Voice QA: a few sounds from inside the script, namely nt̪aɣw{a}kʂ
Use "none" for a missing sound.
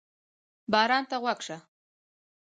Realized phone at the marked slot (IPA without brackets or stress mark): a